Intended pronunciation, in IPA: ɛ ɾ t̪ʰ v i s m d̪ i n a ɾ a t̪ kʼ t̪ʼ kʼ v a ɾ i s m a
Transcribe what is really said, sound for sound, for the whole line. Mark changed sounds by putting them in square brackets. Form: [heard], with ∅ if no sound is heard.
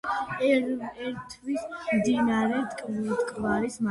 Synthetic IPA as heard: ɛ ɾ t̪ʰ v i s m d̪ i n a ɾ [ɛ] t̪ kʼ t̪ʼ kʼ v a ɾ i s m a